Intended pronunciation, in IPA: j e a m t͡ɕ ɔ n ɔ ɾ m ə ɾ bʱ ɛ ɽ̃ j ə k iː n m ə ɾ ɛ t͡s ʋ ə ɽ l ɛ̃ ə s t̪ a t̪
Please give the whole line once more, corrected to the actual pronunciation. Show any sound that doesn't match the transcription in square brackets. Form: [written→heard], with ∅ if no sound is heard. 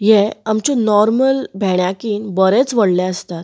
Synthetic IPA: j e a m t͡ɕ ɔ n ɔ ɾ m ə [ɾ→l] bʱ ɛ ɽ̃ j [ə→a] k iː n [m→b] ə ɾ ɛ t͡s ʋ ə ɽ l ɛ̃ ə s t̪ a t̪